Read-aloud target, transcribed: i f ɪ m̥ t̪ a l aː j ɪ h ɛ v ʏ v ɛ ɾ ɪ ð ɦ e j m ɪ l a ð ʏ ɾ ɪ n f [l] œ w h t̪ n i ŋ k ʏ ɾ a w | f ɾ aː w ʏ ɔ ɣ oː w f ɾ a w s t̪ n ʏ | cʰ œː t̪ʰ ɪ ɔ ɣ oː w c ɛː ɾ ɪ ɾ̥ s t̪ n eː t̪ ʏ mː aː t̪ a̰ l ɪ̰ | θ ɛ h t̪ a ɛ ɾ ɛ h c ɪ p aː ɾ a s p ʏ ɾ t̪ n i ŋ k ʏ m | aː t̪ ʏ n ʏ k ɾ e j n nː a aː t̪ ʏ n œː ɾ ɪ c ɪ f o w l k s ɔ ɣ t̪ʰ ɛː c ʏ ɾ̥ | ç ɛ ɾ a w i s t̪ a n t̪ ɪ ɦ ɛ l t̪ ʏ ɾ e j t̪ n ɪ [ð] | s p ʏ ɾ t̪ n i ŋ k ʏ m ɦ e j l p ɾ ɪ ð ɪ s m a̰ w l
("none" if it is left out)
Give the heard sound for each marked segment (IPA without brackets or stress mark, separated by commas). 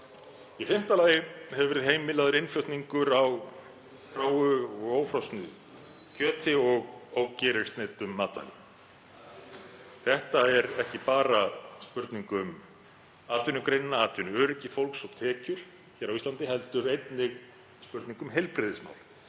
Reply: l, ɣ